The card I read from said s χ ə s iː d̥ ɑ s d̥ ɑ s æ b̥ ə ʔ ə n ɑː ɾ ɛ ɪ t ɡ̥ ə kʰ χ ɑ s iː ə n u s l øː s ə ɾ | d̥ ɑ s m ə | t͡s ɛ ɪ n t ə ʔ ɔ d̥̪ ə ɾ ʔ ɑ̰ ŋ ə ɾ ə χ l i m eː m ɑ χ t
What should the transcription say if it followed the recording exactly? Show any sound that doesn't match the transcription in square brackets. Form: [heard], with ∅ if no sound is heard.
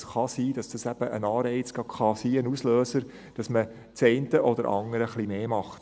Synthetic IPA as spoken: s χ [ɑ] s iː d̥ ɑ s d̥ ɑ s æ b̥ ə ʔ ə n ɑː ɾ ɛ ɪ [t͡s] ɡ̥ [ɑ] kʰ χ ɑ s iː ə n u s l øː s ə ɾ | d̥ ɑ s m ə | t͡s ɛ ɪ n t ə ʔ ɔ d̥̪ ə ɾ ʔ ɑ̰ ŋ ə ɾ ə χ l i m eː m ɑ χ t